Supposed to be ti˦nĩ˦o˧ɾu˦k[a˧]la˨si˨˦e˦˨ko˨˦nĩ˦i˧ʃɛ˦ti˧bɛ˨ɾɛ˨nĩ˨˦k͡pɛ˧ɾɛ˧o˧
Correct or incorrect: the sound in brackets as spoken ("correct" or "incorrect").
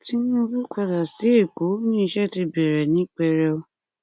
correct